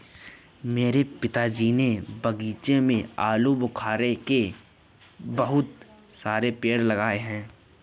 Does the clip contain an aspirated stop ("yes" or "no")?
yes